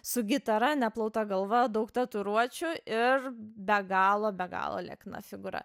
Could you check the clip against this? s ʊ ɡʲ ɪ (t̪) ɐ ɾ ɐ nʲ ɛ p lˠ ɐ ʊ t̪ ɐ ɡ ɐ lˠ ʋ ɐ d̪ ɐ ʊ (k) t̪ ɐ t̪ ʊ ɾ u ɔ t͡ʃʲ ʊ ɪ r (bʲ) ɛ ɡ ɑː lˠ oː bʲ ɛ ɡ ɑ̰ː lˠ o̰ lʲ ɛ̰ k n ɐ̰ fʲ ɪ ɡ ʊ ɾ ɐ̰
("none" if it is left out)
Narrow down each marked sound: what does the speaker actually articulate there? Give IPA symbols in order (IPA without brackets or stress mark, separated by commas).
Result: t̪, k, bʲ